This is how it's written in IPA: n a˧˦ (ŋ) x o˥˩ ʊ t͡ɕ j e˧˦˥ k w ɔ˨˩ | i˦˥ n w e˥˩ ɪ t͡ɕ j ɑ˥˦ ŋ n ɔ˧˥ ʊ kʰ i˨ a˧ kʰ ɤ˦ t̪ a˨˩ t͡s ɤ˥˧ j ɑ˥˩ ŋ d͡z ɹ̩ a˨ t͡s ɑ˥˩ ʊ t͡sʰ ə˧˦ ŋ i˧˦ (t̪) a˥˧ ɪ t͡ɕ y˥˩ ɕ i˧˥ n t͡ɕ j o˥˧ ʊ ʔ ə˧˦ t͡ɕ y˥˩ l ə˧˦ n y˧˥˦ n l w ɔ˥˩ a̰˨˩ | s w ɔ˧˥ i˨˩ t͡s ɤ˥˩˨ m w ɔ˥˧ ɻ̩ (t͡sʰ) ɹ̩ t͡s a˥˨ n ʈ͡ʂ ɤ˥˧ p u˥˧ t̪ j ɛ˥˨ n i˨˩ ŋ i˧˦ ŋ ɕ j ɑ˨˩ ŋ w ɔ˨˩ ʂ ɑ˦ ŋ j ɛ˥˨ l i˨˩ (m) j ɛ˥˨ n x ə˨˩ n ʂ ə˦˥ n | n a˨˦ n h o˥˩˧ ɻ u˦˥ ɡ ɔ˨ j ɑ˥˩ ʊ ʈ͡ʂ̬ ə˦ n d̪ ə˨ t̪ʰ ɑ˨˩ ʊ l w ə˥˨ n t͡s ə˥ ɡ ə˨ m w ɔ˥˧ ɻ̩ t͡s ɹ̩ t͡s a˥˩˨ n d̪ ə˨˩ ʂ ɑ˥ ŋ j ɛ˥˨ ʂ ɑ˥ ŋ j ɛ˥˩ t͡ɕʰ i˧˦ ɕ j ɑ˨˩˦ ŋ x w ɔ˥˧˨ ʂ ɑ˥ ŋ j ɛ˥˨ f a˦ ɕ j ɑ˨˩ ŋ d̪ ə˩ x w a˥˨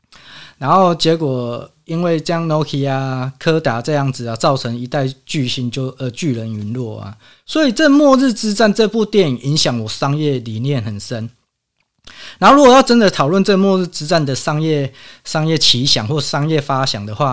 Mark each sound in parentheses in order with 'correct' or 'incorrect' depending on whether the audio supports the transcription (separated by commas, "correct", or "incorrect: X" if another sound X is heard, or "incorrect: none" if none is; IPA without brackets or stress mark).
incorrect: n, correct, incorrect: t͡s, incorrect: n